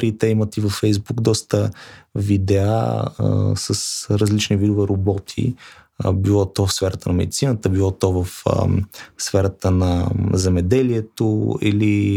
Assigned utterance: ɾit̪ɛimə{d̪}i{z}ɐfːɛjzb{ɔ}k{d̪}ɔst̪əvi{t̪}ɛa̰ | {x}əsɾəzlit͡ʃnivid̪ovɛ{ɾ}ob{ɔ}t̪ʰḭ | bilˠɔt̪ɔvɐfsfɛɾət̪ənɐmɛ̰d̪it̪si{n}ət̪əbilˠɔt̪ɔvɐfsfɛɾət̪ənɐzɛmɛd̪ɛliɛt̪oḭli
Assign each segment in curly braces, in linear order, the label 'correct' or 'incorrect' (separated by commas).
incorrect, incorrect, incorrect, correct, incorrect, incorrect, correct, correct, correct